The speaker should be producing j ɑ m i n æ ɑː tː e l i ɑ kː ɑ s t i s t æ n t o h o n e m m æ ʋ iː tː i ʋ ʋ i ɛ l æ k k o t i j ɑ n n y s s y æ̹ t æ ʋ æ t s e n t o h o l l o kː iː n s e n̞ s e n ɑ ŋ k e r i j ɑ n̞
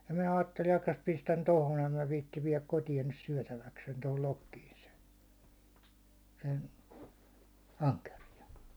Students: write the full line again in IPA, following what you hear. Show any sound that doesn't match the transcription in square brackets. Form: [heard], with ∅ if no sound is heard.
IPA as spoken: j ɑ m i n æ ɑː tː e l i ɑ kː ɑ s [p] i s t æ n t o h o n e m m æ ʋ iː tː i ʋ ʋ i ɛ l æ k k o t i j ɑ n n y s s y æ̹ t æ ʋ æ [k] s e n t o h o l l o kː iː n s e n̞ s e n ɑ ŋ k e r i j ɑ n̞